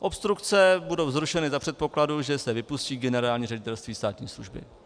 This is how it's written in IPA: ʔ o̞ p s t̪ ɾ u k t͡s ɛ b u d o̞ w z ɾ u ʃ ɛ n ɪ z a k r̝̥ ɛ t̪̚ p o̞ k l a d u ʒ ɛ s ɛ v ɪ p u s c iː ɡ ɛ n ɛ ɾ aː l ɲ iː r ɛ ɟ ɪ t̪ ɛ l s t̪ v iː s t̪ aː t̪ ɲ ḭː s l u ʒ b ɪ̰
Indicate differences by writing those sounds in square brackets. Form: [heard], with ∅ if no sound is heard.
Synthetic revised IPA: ʔ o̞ p s t̪ ɾ u k t͡s ɛ b u d o̞ w z ɾ u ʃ ɛ n ɪ z a [p] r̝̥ ɛ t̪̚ p o̞ k l a d u ʒ ɛ s ɛ v ɪ p u s c iː ɡ ɛ n ɛ ɾ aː l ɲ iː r ɛ ɟ ɪ t̪ ɛ l s t̪ v iː s t̪ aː t̪ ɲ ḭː s l u ʒ b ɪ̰